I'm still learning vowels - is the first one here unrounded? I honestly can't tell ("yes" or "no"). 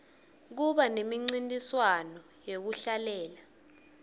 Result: no